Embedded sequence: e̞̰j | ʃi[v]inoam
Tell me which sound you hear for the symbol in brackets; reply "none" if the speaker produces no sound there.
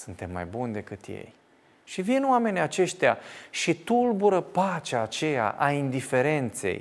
v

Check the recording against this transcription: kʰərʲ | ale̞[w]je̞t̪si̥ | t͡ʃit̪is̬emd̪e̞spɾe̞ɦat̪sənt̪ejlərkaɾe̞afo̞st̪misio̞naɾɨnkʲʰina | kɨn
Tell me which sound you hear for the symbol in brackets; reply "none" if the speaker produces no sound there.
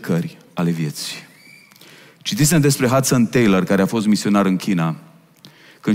v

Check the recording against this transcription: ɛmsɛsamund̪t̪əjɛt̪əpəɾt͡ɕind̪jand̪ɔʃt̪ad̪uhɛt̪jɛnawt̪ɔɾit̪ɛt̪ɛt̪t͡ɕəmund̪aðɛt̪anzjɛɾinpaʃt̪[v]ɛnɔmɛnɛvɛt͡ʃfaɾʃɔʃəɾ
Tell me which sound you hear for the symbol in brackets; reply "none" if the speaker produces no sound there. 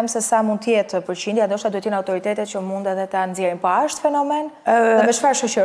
f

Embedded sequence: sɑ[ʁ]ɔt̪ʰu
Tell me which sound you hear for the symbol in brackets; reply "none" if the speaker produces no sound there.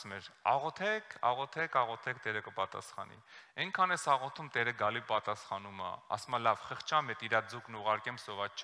ʁ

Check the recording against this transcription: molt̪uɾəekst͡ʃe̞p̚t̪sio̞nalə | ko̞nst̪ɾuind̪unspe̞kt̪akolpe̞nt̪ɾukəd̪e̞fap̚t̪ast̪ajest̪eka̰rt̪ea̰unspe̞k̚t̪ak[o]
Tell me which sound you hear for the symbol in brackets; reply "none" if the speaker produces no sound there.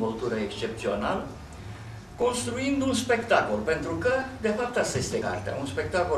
o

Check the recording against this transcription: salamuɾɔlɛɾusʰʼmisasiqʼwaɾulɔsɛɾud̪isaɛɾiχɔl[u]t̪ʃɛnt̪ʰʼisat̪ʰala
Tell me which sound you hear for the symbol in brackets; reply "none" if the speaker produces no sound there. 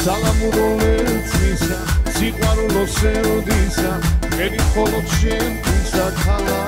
ɔ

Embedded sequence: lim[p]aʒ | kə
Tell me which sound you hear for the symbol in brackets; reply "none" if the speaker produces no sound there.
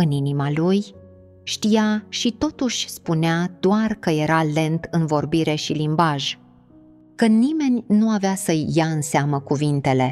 b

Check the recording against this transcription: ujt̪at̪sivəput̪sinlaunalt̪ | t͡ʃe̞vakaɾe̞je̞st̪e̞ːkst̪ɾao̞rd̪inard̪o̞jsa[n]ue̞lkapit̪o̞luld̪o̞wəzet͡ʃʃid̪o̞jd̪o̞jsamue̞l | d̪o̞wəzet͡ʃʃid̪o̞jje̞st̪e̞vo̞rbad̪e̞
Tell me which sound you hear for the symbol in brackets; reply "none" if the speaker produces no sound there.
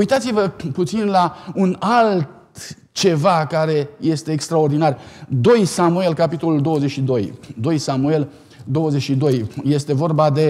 m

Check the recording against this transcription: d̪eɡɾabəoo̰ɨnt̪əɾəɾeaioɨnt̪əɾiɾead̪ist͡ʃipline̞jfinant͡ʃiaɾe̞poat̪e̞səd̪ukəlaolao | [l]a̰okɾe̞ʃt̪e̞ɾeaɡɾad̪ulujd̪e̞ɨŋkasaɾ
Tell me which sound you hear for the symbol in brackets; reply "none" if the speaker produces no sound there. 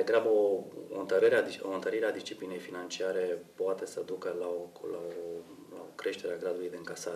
l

